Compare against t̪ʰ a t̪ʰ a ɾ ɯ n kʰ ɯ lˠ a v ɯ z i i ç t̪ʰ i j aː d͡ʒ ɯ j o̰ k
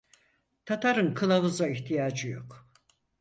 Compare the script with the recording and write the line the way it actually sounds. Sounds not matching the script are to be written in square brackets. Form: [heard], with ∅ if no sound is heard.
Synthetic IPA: t̪ʰ a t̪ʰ a ɾ ɯ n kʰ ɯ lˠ a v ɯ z [a] i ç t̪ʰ i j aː d͡ʒ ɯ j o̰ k